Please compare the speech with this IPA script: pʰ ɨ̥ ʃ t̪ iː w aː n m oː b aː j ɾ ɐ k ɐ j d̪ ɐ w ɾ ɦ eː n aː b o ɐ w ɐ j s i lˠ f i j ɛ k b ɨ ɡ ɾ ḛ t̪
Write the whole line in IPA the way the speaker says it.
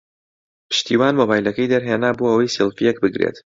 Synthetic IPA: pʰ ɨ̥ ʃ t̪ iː w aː n m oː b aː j l ɐ k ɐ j d̪ ɐ ɾ ɦ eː n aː b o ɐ w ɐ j s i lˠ f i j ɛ k b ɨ ɡ ɾ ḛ t̪

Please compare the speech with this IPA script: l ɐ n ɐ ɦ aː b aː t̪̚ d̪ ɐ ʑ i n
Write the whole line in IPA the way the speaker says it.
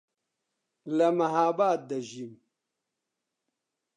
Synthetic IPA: l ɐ m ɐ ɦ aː b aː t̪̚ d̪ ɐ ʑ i m

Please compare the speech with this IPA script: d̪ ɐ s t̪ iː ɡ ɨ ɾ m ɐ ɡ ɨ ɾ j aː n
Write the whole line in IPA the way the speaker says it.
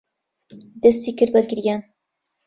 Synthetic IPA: d̪ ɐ s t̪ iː k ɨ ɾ b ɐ ɡ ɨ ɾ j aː n

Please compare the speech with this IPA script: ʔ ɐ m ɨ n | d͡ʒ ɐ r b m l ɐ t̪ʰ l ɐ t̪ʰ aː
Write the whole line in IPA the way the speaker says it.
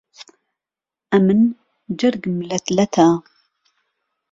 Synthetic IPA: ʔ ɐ m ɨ n | d͡ʒ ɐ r ɡ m l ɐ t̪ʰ l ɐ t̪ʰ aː

